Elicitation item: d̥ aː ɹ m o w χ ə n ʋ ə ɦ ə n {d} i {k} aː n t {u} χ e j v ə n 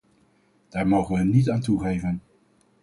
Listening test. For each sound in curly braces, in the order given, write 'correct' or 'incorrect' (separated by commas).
incorrect, incorrect, correct